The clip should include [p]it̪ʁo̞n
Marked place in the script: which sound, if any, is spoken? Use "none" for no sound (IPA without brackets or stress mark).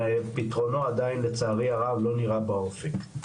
p